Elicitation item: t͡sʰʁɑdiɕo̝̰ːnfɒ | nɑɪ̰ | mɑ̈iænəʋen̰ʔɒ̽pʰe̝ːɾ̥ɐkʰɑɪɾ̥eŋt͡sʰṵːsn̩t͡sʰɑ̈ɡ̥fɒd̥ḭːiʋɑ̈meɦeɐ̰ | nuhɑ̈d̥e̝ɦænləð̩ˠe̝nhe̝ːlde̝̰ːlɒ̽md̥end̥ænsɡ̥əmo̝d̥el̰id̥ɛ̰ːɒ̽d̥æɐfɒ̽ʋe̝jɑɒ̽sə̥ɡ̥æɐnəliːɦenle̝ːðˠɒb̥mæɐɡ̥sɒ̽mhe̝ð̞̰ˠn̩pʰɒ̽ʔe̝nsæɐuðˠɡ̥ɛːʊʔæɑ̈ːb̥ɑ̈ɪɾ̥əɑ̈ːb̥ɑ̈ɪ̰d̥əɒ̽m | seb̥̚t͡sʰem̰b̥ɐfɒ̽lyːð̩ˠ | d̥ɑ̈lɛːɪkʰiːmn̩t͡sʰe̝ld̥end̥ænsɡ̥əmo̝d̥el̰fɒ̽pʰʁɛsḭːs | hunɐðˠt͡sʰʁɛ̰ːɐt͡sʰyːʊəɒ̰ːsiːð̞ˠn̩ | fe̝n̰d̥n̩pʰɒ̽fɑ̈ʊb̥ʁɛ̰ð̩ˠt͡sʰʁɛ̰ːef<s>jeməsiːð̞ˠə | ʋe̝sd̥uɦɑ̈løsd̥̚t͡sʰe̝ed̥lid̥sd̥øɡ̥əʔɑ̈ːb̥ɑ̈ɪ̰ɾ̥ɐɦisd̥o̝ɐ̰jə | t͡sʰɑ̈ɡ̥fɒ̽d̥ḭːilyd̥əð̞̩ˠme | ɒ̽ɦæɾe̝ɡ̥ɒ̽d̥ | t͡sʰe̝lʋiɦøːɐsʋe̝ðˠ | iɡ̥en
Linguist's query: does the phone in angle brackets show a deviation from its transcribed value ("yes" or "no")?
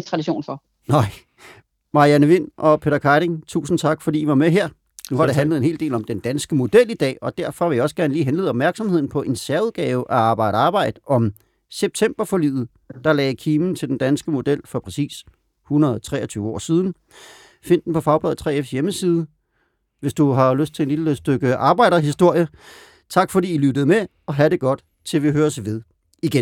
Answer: no